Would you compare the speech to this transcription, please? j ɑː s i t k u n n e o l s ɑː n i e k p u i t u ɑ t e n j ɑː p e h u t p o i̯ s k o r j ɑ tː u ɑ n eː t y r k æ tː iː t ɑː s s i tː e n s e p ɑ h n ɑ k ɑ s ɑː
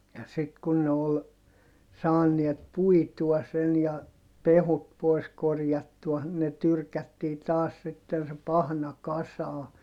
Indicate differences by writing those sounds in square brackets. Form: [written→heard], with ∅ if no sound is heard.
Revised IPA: j [ɑː→ɑ] s i t k u n n e o l s ɑː n i e [k→t] p u i t u ɑ [t→s] e n j [ɑː→ɑ] p e h u t p o i̯ s k o r j ɑ tː u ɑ n [eː→e] t y r k æ tː iː t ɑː s s i tː e n s e p ɑ h n ɑ k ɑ s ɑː

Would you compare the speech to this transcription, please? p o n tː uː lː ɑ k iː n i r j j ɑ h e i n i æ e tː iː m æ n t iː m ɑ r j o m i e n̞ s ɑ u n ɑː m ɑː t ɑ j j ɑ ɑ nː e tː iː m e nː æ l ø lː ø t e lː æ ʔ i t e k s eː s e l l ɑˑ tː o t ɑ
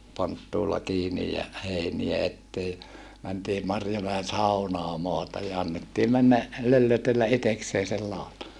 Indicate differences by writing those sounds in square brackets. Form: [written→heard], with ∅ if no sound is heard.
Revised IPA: p o n tː uː lː ɑ k iː n i [r→∅] j j ɑ h e i n i æ e tː [iː→eː] m æ n t iː m ɑ r j o m [i→æ] e n̞ s ɑ u n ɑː m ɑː t ɑ j j ɑ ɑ nː e tː iː m [e→æ] nː æ l ø lː ø t e lː æ ʔ i t e k s eː s e l l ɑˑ [tː→∅] o t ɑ

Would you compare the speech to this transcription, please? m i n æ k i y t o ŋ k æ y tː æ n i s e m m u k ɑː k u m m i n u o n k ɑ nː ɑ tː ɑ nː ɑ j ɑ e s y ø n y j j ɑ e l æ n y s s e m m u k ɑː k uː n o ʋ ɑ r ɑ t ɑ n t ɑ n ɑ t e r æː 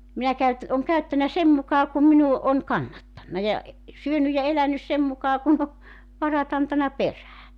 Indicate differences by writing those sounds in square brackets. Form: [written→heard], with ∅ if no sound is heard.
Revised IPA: m i n æ k [i→æ] y t o ŋ k æ y tː æ n [i→æ] s e m m u k ɑː k u m m i n u o n k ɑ nː ɑ tː ɑ nː ɑ j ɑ e s y ø n y j j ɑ e l æ n y s s e m m u k ɑː k [uː→u] n o ʋ ɑ r ɑ t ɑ n t ɑ n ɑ [t→p] e r æː

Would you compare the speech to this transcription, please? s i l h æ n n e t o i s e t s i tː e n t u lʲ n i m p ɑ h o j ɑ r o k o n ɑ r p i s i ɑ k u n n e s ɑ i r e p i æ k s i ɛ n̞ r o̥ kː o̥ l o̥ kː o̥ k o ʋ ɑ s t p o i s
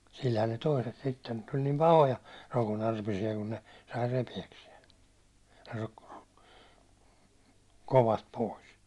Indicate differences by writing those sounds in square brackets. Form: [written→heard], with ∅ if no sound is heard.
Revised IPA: s i l h æ n n e t o i s e t s i tː e n t u lʲ n i m p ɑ h o j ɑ r o k o n ɑ r p i s i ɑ k u n n e s ɑ i r e p i æ k s i ɛ n̞ r o̥ kː o̥ [l→r] o̥ kː o̥ k o ʋ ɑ s t p o i s

